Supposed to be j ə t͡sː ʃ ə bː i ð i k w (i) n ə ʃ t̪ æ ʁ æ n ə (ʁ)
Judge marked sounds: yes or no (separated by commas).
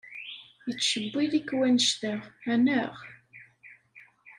no, yes